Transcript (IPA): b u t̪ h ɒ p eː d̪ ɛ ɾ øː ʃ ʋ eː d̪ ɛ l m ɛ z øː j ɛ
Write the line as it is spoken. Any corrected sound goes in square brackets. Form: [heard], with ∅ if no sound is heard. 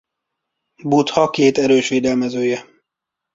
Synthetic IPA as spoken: b u t̪ h ɒ [k] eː [t̪] ɛ ɾ øː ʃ ʋ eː d̪ ɛ l m ɛ z øː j ɛ